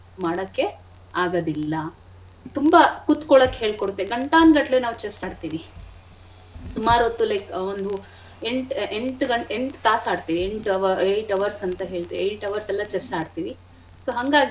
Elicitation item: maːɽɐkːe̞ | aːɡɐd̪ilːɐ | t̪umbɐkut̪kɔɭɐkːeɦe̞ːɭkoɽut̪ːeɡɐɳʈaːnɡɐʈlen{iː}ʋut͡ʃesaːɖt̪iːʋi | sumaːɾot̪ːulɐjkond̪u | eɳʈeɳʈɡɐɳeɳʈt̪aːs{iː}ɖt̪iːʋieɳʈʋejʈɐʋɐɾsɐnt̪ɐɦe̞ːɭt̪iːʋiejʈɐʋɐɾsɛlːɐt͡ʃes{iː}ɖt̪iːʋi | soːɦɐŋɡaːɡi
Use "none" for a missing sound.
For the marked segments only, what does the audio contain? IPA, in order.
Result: aː, aː, aː

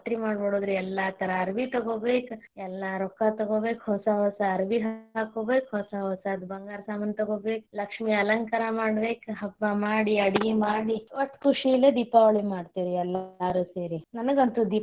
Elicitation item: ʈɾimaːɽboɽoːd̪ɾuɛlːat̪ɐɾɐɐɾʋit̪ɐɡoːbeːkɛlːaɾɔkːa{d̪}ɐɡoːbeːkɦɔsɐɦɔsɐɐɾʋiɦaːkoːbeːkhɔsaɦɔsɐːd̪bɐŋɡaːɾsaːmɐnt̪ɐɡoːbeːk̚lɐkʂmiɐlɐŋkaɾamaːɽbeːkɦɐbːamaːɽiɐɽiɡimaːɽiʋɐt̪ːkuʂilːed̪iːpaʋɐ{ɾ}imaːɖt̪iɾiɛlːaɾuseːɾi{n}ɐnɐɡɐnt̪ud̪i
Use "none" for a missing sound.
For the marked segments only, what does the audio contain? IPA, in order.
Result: t̪, ɭ, n

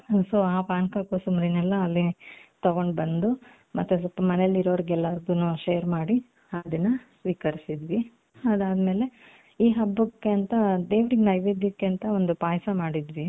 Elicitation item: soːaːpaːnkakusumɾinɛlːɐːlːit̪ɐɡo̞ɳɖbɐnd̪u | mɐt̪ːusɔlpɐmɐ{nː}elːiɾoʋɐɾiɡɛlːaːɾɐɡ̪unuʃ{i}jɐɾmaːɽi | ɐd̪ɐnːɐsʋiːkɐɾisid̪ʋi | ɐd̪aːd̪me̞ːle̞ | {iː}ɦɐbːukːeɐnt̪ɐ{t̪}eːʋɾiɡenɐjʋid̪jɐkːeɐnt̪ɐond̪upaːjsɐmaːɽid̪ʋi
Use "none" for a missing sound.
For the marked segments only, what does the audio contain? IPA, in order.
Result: n, e, iː, d̪

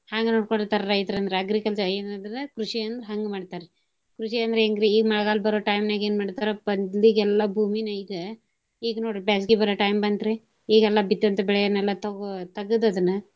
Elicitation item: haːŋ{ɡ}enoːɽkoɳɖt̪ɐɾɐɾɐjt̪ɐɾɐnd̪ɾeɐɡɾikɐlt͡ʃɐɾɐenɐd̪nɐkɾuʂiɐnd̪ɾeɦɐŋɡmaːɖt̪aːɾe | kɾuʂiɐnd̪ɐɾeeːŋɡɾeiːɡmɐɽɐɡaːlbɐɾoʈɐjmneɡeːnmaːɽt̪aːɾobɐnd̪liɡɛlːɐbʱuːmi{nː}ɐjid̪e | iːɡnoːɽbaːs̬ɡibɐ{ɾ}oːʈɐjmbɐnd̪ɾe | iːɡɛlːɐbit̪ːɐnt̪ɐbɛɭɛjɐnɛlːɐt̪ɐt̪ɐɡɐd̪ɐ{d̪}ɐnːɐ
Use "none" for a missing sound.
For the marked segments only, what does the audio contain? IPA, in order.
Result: ɡ, n, ɾ, d̪

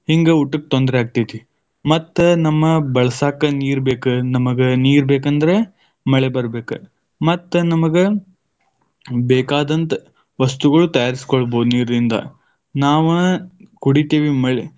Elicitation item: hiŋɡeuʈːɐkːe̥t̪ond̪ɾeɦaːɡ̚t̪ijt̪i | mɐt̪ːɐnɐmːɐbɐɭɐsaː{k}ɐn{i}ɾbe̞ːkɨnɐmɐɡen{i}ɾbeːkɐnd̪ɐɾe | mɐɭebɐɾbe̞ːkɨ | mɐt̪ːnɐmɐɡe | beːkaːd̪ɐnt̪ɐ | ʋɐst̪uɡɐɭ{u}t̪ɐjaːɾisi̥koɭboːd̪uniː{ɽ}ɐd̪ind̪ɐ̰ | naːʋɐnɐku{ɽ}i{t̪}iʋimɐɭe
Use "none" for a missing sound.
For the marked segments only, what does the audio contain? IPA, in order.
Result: k, iː, iː, u, ɾ, ɽ, t̪

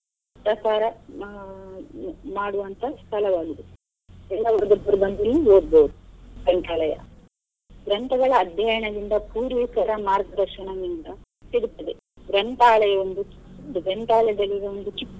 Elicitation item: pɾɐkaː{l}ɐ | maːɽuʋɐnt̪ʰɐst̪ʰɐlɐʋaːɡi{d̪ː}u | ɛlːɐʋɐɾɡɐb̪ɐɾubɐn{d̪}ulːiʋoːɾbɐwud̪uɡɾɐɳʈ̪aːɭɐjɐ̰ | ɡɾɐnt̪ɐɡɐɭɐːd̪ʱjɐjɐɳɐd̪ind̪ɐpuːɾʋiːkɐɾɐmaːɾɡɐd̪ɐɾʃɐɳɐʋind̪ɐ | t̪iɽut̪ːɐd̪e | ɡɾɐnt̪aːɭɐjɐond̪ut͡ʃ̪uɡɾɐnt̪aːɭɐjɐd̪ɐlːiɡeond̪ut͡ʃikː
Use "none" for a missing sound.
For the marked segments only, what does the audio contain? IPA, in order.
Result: ɾ, d̪, d̪

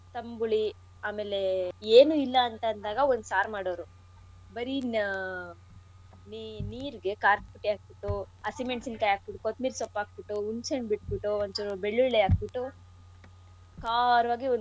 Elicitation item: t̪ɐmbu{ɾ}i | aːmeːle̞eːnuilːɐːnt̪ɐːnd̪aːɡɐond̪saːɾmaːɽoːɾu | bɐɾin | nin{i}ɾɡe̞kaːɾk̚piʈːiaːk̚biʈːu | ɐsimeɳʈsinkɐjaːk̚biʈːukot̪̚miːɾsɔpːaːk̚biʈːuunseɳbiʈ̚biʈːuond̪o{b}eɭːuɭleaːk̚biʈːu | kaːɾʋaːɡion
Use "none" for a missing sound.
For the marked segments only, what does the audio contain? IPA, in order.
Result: ɭ, iː, b

